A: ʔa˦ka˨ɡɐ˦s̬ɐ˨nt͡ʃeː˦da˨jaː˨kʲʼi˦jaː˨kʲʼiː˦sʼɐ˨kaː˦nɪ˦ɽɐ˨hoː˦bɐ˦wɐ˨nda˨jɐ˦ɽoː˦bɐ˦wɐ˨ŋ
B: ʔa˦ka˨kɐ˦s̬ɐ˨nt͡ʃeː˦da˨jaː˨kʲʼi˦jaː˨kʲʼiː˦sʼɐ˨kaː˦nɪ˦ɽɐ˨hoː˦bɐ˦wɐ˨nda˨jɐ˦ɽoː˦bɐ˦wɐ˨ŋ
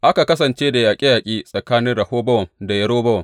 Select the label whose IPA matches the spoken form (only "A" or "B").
B